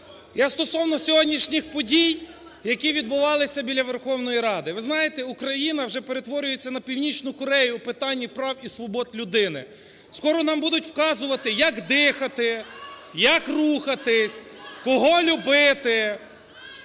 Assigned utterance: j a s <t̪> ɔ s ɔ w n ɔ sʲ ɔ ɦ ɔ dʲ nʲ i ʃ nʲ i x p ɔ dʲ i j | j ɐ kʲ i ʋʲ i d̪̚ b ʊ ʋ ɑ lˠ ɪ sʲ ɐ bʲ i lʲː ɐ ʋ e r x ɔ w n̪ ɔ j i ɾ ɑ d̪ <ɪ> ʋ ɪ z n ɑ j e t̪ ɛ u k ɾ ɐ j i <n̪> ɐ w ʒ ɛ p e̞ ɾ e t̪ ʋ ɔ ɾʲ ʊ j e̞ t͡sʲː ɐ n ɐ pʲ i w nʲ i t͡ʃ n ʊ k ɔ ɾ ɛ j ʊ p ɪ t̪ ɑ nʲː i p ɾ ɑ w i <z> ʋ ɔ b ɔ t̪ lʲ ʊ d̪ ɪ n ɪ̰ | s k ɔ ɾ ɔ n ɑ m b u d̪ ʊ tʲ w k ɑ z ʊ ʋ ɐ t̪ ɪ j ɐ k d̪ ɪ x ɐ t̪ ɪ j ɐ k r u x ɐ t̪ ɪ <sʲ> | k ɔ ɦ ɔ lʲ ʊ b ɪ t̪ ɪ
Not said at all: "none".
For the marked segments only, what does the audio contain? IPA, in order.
t̪, ɪ, n̪, s, sʲ

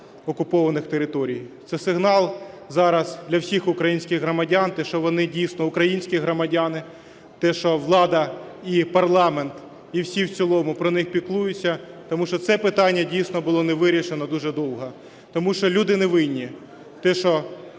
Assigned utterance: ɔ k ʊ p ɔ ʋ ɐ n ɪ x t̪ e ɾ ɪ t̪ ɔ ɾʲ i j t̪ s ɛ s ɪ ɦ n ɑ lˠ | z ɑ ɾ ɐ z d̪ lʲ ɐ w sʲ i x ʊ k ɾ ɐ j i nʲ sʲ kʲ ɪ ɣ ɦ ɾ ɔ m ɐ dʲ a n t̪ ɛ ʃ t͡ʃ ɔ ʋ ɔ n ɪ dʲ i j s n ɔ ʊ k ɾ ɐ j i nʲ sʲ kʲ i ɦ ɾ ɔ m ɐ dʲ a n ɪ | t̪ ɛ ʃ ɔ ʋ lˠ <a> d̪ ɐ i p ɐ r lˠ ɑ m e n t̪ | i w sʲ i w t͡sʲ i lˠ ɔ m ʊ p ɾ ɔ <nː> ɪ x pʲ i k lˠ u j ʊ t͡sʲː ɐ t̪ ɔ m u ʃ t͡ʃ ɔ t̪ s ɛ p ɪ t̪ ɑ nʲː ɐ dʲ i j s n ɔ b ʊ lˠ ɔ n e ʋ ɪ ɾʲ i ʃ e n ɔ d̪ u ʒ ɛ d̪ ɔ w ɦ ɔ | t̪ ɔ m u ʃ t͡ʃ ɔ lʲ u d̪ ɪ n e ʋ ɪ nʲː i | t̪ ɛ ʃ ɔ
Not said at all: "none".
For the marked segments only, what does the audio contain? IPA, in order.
ɑ, n

